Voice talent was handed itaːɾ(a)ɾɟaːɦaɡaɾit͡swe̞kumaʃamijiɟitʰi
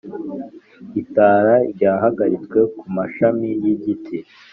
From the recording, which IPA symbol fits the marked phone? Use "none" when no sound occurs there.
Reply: a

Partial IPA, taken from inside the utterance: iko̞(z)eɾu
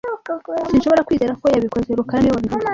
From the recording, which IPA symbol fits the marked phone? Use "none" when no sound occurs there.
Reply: z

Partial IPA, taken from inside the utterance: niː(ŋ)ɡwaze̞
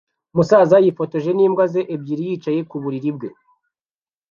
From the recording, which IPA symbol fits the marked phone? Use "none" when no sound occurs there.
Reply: m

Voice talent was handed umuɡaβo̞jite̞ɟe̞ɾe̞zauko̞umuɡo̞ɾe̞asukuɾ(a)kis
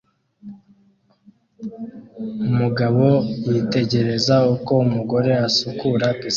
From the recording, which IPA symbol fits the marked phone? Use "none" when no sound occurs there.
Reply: a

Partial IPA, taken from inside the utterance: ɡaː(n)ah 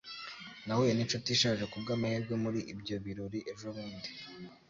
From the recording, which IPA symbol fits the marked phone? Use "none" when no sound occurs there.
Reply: m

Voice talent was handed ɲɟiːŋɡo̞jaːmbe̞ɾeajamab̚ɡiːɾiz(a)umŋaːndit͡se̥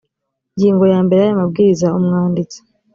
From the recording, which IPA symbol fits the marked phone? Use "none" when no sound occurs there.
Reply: a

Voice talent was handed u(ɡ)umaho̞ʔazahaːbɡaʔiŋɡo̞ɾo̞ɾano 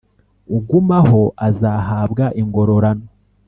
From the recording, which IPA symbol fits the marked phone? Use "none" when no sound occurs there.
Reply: ɡ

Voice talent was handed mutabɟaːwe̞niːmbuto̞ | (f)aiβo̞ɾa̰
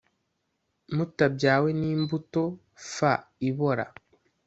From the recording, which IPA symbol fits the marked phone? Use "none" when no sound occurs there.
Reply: f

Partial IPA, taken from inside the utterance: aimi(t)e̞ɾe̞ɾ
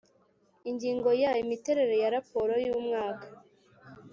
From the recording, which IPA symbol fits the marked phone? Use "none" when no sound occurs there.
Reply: t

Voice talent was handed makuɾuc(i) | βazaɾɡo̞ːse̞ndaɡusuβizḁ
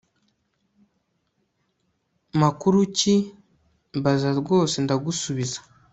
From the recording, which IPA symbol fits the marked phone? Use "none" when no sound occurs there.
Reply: i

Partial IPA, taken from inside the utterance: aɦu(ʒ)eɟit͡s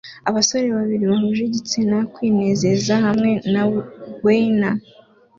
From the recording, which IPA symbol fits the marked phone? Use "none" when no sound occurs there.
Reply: ʒ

